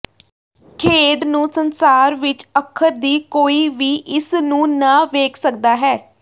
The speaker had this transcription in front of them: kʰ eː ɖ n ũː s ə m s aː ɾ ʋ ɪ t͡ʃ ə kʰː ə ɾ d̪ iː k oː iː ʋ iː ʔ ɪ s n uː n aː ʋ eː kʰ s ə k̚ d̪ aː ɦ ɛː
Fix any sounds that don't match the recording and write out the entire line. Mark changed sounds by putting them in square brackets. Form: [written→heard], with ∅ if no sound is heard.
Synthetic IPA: kʰ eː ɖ n ũː s ə [m→n] s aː ɾ ʋ ɪ t͡ʃ ə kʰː ə ɾ d̪ iː k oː iː ʋ iː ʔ ɪ s n [uː→ũː] n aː ʋ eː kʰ s ə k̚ d̪ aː ɦ ɛː